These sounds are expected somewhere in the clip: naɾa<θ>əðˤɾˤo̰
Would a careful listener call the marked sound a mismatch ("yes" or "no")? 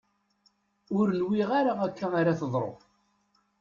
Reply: no